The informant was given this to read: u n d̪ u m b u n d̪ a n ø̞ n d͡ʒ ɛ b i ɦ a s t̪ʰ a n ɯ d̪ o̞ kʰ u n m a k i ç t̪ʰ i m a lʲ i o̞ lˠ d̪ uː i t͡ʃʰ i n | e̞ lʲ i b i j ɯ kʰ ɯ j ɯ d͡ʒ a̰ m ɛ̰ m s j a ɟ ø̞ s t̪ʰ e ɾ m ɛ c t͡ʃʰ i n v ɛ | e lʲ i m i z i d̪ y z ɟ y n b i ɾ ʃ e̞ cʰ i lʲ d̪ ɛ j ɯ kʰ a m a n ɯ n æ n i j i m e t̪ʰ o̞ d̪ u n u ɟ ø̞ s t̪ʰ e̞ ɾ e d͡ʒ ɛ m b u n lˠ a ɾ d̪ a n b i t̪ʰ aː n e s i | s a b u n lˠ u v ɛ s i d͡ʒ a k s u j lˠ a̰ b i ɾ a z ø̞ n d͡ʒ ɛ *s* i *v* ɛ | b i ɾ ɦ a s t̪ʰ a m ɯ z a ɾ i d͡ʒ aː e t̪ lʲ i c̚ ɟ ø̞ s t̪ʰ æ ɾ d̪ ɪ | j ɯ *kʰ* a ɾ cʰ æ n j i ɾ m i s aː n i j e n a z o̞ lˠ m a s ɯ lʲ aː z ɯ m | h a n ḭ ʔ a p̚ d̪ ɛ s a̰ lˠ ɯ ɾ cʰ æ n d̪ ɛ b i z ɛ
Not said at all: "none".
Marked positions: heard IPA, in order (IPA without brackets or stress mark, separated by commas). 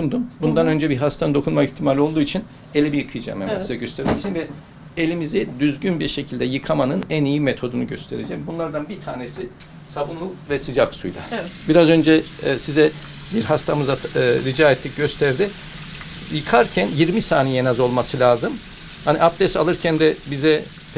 s, z, kʰ